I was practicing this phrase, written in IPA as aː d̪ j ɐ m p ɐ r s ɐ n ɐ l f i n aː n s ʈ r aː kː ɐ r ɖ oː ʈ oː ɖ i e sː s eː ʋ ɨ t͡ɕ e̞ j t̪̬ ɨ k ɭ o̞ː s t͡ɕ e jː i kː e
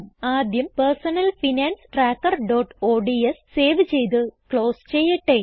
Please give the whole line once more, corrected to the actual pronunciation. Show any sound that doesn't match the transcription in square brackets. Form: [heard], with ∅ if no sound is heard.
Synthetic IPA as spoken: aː d̪ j ɐ m p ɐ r s ɐ n ɐ l f i n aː n s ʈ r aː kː ɐ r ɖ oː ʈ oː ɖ i e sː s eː ʋ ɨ t͡ɕ e̞ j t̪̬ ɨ k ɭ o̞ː s t͡ɕ e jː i [ʈː] e

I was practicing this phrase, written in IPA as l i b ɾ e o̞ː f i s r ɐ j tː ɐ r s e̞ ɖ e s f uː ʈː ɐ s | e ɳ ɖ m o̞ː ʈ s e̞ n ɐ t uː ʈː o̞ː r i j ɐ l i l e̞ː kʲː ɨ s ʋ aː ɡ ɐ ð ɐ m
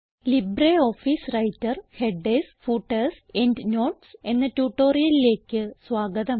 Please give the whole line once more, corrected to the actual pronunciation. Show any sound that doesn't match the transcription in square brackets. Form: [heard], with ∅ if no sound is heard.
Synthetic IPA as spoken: l i b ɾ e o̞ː f i s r ɐ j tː ɐ r [h] e̞ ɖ e s f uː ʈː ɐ s | e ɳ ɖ [n] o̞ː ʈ s e̞ [nː] ɐ t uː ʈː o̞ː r i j ɐ l i l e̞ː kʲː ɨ s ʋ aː ɡ ɐ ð ɐ m

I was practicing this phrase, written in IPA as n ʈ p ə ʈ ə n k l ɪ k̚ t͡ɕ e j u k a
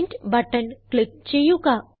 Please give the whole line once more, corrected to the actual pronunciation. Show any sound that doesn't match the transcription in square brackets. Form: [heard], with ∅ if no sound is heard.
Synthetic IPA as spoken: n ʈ [b] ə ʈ ə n k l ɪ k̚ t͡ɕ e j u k a

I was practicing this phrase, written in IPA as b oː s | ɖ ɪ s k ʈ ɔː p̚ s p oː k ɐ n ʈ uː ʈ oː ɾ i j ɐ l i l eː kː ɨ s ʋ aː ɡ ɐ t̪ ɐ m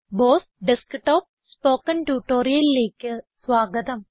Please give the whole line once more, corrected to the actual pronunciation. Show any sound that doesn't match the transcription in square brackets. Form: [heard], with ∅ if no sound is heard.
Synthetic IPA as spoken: b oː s | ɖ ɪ s k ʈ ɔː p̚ s p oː k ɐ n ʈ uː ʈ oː ɾ i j ɐ l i l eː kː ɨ s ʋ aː ɡ ɐ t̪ ɐ m

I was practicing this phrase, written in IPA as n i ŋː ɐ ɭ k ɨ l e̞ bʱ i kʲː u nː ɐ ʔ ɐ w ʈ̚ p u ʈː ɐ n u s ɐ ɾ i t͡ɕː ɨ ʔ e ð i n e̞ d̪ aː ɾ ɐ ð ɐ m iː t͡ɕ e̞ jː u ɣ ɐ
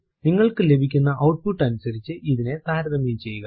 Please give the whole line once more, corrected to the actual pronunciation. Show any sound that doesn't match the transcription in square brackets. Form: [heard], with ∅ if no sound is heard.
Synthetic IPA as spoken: n i ŋː ɐ ɭ k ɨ l e̞ bʱ i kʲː u nː ɐ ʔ ɐ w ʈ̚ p u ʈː ɐ n u s ɐ ɾ i t͡ɕː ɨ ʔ [i] ð i n e̞ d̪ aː ɾ ɐ ð ɐ m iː t͡ɕ e̞ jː u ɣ ɐ

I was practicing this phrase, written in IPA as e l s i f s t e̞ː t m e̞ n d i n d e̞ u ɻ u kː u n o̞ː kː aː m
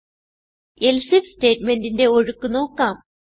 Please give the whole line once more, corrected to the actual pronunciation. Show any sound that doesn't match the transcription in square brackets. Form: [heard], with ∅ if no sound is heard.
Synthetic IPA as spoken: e l s i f s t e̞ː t m e̞ n d i n d e̞ [o] ɻ u kː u n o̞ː kː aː m

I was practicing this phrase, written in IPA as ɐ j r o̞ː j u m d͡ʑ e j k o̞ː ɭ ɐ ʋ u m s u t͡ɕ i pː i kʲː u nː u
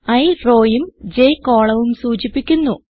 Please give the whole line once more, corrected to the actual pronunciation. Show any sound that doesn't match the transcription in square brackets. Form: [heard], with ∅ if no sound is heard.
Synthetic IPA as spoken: ɐ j r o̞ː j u m d͡ʑ e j k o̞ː ɭ ɐ ʋ u m s [uː] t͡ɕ i pː i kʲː u nː u

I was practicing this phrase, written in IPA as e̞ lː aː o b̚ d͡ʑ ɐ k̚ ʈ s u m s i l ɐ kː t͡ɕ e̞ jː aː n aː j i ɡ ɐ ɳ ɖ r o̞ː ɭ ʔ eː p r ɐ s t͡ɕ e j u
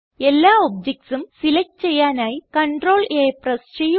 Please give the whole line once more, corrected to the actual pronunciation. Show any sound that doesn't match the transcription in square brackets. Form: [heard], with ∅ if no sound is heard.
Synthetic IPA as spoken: e̞ lː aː o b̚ d͡ʑ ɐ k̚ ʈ s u m s i l ɐ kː t͡ɕ e̞ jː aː n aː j i [k] ɐ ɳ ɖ r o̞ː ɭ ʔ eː p r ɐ s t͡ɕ e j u

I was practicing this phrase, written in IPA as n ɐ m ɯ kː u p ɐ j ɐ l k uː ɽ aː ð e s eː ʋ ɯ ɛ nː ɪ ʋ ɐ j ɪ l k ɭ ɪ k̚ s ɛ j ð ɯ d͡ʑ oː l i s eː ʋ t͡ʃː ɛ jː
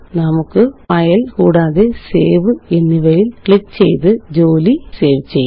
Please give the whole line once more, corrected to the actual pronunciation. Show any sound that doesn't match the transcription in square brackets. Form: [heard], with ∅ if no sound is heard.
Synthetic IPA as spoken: n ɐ m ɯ kː [ɯ] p ɐ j ɐ l k uː ɽ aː ð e s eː ʋ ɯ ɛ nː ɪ ʋ ɐ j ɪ l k ɭ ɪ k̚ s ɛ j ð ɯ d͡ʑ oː l i s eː ʋ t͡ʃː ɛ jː

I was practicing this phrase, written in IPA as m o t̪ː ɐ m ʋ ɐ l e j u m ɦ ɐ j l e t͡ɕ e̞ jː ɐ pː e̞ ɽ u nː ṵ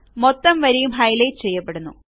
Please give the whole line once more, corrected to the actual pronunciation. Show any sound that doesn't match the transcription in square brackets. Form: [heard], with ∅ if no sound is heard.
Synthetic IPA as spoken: m o t̪ː ɐ m ʋ ɐ [ɾ] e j u m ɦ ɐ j l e t͡ɕ e̞ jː ɐ pː e̞ ɽ u nː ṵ

